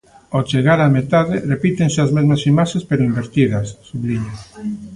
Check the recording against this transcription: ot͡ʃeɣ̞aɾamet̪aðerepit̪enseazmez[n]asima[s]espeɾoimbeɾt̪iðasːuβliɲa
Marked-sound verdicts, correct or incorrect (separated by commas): incorrect, incorrect